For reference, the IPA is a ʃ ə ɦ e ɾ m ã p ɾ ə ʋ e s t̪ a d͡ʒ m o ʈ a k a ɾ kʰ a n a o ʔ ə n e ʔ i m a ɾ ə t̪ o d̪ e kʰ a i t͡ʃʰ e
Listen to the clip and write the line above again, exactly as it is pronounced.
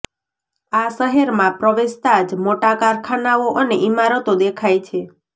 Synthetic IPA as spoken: a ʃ ə ɦ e ɾ m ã p ɾ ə ʋ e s t̪ a d͡ʒ m o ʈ a k a ɾ kʰ a n a o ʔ ə n e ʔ i m a ɾ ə t̪ o d̪ e kʰ a j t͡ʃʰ e